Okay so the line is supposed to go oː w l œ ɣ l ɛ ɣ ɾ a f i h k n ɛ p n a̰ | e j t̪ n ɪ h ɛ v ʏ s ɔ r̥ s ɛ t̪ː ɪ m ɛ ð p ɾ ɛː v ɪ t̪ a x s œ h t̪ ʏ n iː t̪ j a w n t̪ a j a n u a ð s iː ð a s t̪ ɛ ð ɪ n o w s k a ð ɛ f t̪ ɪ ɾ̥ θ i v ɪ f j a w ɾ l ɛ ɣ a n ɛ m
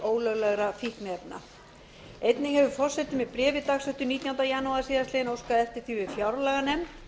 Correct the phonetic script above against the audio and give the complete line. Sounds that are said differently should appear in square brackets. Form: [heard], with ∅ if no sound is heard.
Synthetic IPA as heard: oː w l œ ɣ l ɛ ɣ ɾ a f i h k n ɛ p n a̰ | e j t̪ n ɪ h ɛ v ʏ [f] ɔ r̥ s ɛ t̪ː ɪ m ɛ ð p ɾ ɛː v ɪ t̪ a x s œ h t̪ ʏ n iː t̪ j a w n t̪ a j a n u a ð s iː ð a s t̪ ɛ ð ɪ n o w s k a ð ɛ f t̪ ɪ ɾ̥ θ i v ɪ f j a w ɾ l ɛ ɣ a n ɛ m